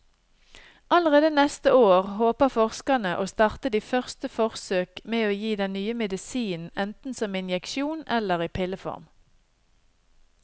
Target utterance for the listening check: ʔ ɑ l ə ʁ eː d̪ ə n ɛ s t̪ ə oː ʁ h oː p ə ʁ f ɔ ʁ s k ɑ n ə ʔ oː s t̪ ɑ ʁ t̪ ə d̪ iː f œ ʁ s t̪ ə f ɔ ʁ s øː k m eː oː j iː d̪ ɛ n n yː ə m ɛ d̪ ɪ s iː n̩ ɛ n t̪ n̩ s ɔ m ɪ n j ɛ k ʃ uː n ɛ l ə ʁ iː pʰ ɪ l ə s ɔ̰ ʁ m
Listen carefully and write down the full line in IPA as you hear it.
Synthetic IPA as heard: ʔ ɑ l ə ʁ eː d̪ ə n ɛ s t̪ ə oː ʁ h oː p ə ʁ f ɔ ʁ s k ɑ n ə ʔ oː s t̪ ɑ ʁ t̪ ə d̪ iː f œ ʁ s t̪ ə f ɔ ʁ s øː k m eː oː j iː d̪ ɛ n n yː ə m ɛ d̪ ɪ s iː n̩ ɛ n t̪ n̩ s ɔ m ɪ n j ɛ k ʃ uː n ɛ l ə ʁ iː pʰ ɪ l ə f ɔ̰ ʁ m